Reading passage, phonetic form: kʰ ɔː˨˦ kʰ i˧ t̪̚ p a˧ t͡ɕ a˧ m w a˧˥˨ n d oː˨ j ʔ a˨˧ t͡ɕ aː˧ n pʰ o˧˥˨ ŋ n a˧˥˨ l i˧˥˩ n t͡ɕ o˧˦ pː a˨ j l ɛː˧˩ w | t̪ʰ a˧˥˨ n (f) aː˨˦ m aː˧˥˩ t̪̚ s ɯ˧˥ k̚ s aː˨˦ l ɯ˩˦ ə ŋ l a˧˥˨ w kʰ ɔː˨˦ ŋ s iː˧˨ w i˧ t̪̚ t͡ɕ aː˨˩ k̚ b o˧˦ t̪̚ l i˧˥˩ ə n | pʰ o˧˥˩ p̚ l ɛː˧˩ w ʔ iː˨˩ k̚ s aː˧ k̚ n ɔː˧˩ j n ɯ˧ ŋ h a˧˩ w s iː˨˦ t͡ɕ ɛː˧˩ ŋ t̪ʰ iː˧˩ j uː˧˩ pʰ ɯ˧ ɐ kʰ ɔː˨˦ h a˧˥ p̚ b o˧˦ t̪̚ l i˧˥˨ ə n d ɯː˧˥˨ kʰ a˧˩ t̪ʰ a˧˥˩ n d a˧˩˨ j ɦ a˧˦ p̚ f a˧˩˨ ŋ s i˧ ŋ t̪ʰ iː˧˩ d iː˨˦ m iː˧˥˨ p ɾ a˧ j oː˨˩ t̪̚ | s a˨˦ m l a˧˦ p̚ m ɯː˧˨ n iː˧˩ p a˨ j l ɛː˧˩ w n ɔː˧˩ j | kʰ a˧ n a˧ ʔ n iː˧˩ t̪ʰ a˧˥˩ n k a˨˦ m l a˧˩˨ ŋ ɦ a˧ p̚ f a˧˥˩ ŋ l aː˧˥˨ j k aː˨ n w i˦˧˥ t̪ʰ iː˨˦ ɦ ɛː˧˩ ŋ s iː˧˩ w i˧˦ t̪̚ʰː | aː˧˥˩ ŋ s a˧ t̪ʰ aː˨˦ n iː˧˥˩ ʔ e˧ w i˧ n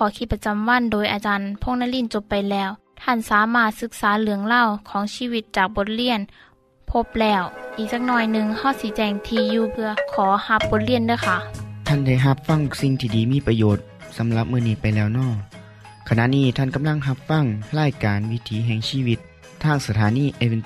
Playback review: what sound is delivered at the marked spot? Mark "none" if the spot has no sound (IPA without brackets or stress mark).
s